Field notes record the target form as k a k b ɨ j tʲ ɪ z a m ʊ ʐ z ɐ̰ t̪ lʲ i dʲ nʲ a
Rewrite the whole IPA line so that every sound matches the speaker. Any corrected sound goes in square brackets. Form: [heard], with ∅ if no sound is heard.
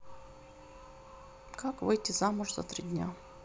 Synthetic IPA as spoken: k a k [v] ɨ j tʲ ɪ z a m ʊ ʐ z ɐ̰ t̪ [ɾʲ] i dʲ nʲ a